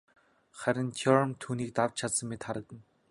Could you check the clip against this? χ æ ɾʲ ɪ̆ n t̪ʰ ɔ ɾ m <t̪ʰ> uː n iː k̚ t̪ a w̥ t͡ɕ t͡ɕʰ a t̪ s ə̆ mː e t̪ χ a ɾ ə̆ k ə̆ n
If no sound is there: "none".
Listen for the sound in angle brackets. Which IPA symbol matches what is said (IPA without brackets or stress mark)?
t̪ʰ